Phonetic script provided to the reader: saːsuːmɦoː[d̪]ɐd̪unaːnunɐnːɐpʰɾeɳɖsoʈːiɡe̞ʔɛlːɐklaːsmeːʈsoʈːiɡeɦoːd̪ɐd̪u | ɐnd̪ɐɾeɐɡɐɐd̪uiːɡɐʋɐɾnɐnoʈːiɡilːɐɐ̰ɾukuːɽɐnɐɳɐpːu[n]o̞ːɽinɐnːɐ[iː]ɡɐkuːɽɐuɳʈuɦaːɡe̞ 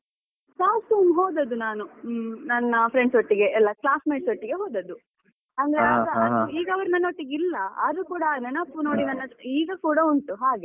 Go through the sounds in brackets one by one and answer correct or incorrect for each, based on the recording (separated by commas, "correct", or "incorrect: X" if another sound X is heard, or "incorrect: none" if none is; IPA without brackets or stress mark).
correct, correct, correct